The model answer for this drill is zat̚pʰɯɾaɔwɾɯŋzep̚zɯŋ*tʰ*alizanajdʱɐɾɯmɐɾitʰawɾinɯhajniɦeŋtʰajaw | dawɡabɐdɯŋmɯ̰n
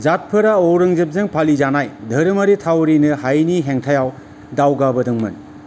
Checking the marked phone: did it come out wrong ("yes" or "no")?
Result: yes